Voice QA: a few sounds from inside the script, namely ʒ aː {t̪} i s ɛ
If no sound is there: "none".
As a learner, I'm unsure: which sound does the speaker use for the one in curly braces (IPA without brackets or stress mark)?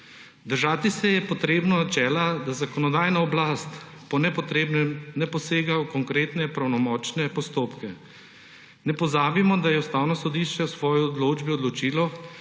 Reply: t̪